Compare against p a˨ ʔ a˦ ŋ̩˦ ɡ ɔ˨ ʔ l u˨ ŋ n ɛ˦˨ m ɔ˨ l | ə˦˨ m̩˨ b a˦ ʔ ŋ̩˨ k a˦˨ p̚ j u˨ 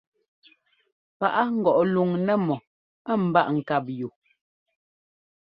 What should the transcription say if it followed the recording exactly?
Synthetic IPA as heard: p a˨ ʔ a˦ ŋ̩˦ ɡ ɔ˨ ʔ l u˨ ŋ n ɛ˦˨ m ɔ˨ | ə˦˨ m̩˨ b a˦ ʔ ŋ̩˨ k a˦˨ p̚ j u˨